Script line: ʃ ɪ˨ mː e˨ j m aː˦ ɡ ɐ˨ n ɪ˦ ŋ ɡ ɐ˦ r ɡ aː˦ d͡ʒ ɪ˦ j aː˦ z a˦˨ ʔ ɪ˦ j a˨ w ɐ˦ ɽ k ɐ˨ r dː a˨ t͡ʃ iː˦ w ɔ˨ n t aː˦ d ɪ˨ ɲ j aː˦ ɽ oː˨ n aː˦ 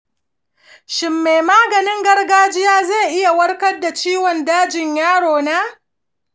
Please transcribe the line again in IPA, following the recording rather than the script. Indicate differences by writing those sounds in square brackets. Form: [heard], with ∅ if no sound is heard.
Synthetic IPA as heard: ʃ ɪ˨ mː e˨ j m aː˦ ɡ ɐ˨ n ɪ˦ ŋ ɡ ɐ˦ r ɡ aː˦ d͡ʒ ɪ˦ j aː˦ z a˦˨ ʔ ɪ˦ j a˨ w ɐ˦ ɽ k [ɐ˦] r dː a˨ t͡ʃ iː˦ w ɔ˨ n [d] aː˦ [d͡ʒ] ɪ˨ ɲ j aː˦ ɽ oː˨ n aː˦